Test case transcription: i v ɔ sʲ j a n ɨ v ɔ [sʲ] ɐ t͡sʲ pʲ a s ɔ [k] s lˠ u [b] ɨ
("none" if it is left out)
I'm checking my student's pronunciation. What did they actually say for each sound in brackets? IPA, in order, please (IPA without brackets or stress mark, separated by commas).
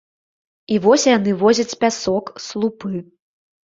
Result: zʲ, k, p